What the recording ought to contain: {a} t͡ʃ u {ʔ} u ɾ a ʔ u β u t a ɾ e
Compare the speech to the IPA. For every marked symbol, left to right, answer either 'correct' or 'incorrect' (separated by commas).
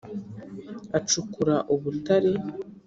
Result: correct, incorrect